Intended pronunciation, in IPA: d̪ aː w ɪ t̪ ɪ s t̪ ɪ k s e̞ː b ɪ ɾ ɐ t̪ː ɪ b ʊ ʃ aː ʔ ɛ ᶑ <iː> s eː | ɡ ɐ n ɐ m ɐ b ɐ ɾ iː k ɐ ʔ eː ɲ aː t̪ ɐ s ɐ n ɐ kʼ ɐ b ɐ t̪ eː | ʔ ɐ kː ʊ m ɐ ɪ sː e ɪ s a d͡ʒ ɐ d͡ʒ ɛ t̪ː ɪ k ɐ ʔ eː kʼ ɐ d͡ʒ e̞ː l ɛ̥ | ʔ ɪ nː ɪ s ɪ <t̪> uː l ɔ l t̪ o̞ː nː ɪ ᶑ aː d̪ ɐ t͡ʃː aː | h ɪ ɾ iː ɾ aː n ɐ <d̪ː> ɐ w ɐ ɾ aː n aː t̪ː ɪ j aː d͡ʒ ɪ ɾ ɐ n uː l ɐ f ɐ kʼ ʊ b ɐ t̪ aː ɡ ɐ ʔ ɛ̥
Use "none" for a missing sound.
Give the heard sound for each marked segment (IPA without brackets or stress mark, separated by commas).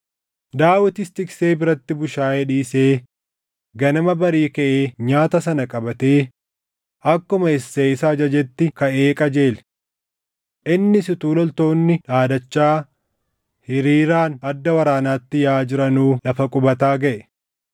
iː, t̪, d̪ː